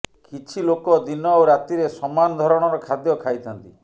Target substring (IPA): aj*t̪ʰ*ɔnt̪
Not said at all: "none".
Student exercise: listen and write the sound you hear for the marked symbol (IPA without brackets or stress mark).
t̪ʰ